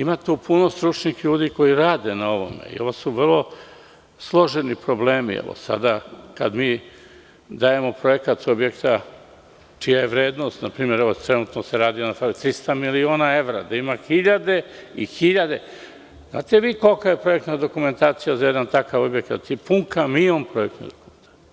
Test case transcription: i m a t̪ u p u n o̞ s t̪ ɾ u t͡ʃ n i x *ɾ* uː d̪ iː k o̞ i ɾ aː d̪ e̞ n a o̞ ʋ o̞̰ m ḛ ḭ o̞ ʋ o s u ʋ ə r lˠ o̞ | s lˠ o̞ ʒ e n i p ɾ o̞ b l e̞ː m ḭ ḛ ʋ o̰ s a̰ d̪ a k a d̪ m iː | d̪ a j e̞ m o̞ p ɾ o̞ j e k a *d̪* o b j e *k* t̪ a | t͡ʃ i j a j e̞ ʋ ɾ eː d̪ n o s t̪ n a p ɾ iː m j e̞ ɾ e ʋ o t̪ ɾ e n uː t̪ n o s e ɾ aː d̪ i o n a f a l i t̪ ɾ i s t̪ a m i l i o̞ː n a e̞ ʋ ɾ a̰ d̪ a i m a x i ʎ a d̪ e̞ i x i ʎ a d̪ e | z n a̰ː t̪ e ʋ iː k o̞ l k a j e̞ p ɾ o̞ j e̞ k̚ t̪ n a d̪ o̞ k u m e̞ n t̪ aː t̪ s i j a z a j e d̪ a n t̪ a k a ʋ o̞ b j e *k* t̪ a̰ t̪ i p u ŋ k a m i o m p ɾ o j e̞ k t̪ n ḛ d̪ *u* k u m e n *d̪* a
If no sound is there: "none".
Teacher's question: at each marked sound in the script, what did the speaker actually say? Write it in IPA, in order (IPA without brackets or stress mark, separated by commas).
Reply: ʎ, t̪, k, k, o, t̪